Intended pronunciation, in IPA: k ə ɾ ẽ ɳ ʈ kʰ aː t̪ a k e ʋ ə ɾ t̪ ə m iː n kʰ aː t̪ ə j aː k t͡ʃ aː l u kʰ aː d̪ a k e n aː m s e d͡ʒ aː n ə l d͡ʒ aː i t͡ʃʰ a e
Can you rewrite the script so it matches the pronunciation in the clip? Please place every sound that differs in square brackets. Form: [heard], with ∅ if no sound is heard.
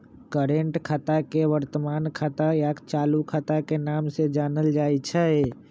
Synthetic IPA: k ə ɾ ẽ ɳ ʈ kʰ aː t̪ a k e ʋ ə ɾ t̪ ə m [aː] n kʰ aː t̪ [a] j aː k t͡ʃ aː l u kʰ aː [t̪] a k e n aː m s e d͡ʒ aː n ə l d͡ʒ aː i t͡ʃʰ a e